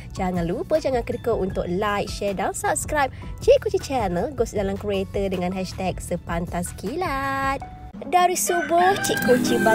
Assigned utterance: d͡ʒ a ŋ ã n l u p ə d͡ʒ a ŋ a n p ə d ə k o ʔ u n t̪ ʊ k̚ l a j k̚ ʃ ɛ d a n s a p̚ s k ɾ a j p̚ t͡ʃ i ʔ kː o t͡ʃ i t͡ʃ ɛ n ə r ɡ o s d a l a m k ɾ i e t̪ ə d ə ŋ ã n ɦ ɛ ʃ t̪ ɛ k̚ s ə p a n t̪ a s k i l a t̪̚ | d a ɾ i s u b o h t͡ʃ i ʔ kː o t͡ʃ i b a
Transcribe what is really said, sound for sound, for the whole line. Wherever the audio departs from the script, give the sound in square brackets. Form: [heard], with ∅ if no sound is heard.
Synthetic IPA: d͡ʒ a ŋ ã n l u p ə d͡ʒ a ŋ a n [k] ə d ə k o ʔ u n t̪ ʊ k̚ l a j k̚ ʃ ɛ d a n s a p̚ s k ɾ a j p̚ t͡ʃ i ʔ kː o t͡ʃ i t͡ʃ ɛ n ə [l] ɡ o s d a l a m k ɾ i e t̪ ə d ə ŋ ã n ɦ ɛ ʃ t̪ ɛ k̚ s ə p a n t̪ a s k i l a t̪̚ | d a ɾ i s u b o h t͡ʃ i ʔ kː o t͡ʃ i b a